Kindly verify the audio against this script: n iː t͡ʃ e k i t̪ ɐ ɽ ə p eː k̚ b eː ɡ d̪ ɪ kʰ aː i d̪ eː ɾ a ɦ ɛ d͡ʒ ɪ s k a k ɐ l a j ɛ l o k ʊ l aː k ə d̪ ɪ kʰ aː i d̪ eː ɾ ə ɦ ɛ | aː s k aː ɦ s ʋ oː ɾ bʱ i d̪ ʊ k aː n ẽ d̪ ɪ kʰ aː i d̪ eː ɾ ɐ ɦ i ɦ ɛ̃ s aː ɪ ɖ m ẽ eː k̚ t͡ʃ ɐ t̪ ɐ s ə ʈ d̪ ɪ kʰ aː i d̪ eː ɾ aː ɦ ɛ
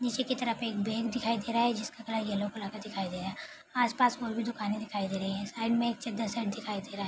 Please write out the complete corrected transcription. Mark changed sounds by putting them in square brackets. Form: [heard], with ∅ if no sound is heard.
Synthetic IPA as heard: n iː t͡ʃ e k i t̪ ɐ [ɾ] ə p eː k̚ b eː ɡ d̪ ɪ kʰ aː i d̪ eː ɾ a ɦ ɛ d͡ʒ ɪ s k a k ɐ l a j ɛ l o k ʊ l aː k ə d̪ ɪ kʰ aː i d̪ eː ɾ [a] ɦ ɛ | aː s [p] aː [∅] s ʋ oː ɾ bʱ i d̪ ʊ k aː n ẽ d̪ ɪ kʰ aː i d̪ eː ɾ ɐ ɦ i ɦ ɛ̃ s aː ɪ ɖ m ẽ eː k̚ t͡ʃ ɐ [d̪] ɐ s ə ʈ d̪ ɪ kʰ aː i d̪ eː ɾ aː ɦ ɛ